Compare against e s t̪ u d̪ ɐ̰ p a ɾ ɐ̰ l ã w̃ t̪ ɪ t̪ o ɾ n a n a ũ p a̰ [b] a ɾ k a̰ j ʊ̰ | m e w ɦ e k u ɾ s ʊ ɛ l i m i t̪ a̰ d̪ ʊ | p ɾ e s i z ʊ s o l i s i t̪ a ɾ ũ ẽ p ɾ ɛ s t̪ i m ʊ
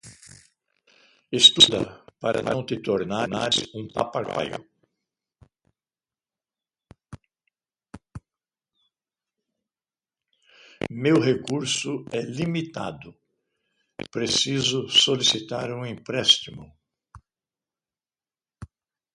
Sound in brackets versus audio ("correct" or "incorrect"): incorrect